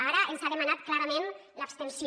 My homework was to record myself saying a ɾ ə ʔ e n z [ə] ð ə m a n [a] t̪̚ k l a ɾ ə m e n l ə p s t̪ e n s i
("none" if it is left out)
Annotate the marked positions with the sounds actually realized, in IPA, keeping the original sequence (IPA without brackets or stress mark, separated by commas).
a, a